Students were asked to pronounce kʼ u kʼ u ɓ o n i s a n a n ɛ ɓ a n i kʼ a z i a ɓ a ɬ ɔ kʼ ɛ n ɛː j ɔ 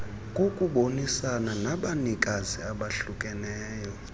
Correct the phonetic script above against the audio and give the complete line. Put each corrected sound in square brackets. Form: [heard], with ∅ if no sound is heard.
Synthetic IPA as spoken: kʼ [o] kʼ u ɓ o n i s a n a n [a] ɓ a n i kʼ a z i a ɓ a ɬ [u] kʼ ɛ n ɛː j ɔ